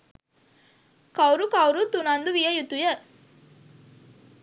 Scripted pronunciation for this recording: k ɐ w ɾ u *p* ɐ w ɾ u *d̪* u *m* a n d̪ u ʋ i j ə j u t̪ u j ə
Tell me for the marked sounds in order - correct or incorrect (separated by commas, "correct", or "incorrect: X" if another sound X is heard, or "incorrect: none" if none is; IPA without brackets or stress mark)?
incorrect: k, incorrect: t̪, incorrect: n